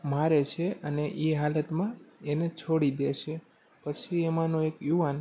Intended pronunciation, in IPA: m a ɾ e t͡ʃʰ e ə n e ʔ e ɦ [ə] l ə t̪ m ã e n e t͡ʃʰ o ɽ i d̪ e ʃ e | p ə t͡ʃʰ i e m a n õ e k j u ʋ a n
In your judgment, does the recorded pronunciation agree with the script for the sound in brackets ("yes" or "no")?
no